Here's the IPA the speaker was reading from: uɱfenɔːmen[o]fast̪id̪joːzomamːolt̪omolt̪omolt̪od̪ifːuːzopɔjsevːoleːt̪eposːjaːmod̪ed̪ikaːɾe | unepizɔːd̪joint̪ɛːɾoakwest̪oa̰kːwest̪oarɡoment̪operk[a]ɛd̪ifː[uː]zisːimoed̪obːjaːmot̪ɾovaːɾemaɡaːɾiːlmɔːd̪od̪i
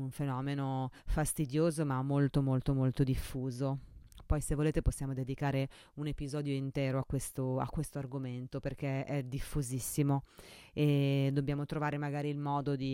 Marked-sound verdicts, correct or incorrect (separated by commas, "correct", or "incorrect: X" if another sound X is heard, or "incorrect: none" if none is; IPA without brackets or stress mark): correct, incorrect: e, incorrect: u